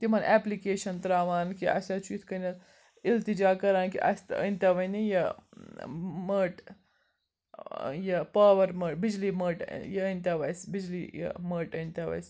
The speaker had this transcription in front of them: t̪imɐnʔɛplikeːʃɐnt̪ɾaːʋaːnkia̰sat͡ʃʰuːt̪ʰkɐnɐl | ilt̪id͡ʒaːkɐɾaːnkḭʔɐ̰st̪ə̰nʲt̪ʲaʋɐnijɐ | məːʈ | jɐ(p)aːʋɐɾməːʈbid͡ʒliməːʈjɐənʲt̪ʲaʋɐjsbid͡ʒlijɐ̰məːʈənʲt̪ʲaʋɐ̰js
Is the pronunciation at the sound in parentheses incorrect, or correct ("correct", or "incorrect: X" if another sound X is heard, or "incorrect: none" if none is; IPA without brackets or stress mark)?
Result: correct